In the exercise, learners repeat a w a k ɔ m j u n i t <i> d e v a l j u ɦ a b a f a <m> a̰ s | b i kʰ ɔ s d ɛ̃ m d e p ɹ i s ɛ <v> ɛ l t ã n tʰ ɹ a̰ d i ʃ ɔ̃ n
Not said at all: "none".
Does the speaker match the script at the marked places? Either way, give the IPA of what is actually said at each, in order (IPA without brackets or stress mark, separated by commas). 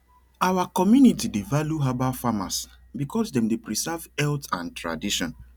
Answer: i, m, v